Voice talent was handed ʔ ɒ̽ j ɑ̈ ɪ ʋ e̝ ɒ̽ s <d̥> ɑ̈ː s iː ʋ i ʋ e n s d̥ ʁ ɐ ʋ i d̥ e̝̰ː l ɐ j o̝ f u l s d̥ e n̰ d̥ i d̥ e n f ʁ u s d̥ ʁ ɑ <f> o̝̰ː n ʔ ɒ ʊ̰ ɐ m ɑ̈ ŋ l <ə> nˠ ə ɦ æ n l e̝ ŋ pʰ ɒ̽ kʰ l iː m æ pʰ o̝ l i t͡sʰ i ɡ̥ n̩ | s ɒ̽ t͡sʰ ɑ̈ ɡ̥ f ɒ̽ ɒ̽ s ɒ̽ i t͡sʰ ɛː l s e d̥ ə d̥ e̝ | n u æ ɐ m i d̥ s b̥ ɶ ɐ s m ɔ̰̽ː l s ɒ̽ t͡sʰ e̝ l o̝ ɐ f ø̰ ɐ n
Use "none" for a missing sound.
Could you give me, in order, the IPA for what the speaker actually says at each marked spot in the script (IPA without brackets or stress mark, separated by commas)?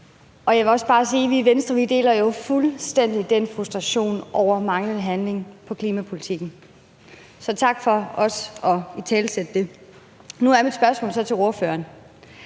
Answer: b̥, ɕ, ə